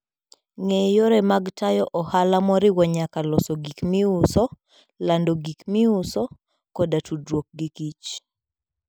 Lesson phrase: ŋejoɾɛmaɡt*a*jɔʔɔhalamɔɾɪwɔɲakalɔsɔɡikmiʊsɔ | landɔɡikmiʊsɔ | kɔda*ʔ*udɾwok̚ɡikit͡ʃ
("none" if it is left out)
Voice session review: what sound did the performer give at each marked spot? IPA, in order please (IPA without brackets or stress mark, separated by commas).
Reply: a, t